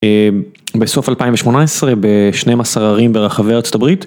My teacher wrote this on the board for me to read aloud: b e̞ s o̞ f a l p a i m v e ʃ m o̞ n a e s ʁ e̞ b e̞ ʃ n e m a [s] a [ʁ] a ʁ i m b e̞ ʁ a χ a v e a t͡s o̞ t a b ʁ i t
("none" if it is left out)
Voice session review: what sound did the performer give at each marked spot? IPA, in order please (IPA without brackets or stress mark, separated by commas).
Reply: s, ʁ